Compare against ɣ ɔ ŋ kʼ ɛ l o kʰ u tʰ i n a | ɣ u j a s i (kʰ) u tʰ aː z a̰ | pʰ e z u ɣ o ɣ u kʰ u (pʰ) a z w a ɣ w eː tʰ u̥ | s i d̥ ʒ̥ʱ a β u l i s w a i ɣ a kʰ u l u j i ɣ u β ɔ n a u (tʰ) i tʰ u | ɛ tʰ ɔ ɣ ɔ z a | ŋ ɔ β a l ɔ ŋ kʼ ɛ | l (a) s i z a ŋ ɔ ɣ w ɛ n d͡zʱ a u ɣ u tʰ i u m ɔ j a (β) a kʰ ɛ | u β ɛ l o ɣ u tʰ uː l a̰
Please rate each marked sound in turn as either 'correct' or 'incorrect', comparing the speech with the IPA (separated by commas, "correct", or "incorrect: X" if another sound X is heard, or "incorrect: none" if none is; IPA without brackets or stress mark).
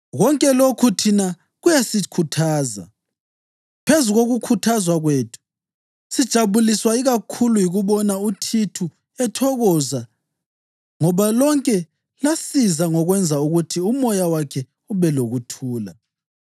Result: correct, incorrect: tʰ, correct, correct, incorrect: w